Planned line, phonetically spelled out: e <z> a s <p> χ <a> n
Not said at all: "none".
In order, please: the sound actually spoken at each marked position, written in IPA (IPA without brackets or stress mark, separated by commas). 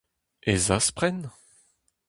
z, p, ɛ